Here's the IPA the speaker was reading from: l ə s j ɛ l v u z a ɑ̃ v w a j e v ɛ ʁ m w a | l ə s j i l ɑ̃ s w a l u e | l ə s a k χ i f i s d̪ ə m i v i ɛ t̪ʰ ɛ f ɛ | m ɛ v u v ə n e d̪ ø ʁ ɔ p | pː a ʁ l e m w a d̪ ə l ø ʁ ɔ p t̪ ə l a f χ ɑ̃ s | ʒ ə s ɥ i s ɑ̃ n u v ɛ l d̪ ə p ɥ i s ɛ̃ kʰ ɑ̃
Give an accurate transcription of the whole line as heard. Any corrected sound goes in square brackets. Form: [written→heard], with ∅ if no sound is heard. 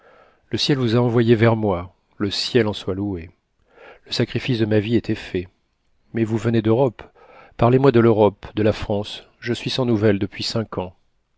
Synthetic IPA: l ə s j ɛ l v u z a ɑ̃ v w a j e v ɛ ʁ m w a | l ə s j [i→ɛ] l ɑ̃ s w a l u e | l ə s a k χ i f i s d̪ ə m [i→a] v i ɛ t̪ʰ ɛ f ɛ | m ɛ v u v ə n e d̪ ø ʁ ɔ p | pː a ʁ l e m w a d̪ ə l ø ʁ ɔ p [t̪→d̪] ə l a f χ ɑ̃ s | ʒ ə s ɥ i s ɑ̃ n u v ɛ l d̪ ə p ɥ i s ɛ̃ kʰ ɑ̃